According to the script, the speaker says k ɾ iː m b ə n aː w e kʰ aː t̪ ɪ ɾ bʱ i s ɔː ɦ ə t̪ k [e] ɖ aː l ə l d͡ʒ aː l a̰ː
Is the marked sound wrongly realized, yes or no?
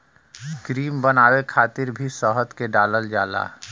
no